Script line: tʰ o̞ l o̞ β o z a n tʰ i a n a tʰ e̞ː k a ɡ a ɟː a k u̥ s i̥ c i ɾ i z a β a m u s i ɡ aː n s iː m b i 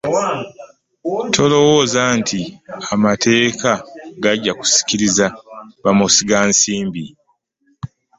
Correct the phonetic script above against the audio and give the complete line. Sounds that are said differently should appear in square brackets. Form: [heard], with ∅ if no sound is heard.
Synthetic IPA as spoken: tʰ o̞ l o̞ [w] o z a n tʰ i a [m] a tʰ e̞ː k a ɡ a ɟː a k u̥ s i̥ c i ɾ i z a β a m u s i ɡ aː n s iː m b i